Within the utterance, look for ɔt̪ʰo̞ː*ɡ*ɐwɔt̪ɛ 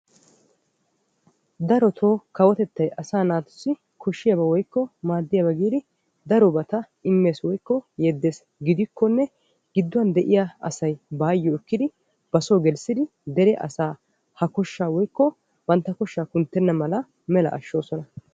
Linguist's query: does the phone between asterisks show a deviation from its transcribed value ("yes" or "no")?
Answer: yes